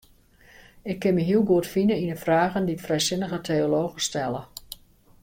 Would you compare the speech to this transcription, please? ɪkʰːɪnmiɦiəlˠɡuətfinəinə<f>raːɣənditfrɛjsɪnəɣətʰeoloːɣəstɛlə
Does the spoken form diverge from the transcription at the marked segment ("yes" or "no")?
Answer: no